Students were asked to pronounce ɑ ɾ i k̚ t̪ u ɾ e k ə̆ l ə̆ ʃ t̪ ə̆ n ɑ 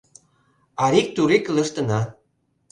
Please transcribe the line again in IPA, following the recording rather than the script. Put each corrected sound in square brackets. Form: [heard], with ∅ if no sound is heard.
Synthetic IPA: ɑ ɾ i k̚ t̪ u ɾ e k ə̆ l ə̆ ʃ t̪ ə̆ n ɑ